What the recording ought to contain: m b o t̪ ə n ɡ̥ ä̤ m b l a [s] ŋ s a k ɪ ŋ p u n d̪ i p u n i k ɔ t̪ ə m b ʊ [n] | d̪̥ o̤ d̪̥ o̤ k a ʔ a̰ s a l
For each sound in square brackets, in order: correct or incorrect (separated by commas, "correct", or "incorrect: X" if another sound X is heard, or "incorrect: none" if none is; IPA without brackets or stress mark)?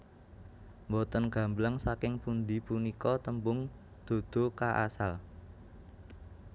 incorrect: none, incorrect: ŋ